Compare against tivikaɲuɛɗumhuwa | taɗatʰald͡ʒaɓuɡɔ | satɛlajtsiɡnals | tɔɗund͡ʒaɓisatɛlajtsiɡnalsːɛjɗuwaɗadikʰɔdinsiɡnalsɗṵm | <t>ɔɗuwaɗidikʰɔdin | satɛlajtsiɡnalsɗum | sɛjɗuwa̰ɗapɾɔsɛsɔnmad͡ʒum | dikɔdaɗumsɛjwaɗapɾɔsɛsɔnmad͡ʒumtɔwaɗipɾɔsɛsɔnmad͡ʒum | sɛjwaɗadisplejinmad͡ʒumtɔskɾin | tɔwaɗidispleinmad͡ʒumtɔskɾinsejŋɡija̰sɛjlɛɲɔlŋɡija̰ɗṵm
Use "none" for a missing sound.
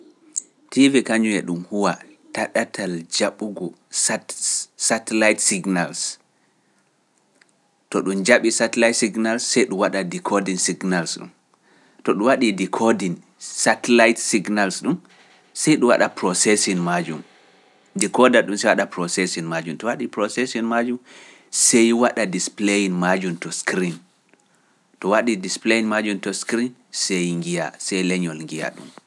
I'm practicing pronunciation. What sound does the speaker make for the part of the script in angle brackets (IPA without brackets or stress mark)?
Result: t